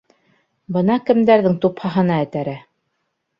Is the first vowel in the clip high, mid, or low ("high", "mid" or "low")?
mid